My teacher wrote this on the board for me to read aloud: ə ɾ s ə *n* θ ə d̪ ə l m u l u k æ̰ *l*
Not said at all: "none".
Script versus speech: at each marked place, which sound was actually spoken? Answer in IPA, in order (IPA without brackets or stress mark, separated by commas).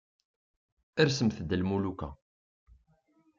m, none